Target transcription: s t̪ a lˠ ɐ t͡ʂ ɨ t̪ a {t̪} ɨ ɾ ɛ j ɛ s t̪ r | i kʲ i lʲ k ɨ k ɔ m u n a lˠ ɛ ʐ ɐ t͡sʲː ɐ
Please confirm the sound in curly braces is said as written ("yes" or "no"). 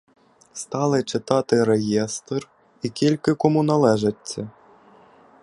yes